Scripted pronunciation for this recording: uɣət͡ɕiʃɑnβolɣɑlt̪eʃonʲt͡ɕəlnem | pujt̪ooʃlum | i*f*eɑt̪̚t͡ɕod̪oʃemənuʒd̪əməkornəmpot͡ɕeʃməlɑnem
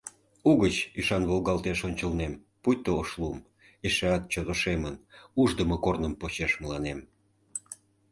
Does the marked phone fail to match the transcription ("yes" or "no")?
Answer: yes